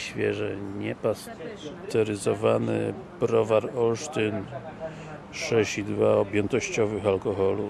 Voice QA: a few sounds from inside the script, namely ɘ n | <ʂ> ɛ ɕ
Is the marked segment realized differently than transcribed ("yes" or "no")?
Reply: no